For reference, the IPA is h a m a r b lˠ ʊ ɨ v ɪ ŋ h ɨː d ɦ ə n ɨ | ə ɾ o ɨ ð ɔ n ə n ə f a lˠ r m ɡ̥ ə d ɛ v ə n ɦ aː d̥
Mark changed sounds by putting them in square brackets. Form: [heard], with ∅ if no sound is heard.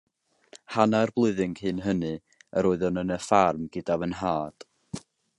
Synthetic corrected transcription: h a [n] a r b lˠ ʊ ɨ [ð] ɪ ŋ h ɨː [n] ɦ ə n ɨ | ə ɾ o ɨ ð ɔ n ə n ə f a [∅] r m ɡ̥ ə d [a] v ə n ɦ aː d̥

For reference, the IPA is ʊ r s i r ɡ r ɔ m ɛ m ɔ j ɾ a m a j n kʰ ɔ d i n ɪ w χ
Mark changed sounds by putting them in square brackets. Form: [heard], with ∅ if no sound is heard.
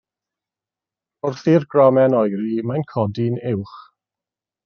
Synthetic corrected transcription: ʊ r [θ] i r ɡ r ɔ m ɛ [n] ɔ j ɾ [i] m a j n kʰ ɔ d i n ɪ w χ

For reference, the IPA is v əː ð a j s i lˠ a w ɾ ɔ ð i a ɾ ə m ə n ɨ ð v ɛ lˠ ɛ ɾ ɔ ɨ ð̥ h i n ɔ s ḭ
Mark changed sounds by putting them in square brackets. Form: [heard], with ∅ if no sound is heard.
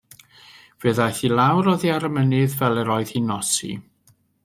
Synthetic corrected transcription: v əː ð a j [θ] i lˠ a w ɾ ɔ ð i a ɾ ə m ə n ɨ ð v ɛ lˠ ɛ ɾ ɔ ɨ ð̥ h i n ɔ s ḭ

